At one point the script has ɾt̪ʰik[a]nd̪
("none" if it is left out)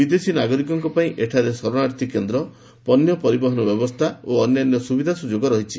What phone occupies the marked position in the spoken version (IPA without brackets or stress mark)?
e